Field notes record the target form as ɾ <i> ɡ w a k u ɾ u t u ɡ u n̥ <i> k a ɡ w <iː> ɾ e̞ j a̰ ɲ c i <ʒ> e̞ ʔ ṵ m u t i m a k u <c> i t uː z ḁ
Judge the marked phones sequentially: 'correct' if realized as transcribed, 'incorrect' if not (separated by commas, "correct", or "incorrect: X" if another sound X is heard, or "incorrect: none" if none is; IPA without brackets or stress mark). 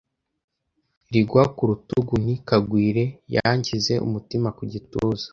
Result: correct, correct, correct, incorrect: z, incorrect: ɟ